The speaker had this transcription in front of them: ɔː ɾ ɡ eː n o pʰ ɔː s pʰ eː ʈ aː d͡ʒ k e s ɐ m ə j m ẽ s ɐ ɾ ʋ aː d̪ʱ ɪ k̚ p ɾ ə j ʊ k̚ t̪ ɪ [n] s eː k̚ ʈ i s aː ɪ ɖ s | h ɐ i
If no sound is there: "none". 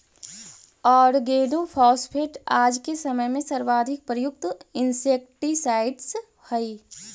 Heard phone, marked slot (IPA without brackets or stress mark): n